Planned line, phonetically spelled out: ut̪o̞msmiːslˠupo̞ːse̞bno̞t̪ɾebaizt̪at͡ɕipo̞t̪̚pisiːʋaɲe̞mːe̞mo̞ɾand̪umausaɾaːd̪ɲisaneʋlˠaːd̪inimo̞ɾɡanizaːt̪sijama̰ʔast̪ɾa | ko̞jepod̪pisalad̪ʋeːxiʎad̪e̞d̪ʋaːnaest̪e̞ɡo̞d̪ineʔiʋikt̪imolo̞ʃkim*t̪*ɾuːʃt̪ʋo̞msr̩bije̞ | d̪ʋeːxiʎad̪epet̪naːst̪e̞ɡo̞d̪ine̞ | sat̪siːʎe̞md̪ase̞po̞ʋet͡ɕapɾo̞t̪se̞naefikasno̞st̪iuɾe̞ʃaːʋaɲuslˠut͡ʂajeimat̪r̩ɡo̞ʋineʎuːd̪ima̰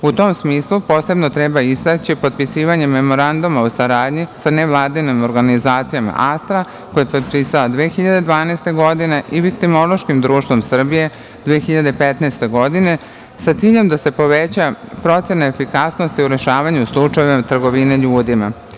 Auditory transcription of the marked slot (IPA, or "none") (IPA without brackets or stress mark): d̪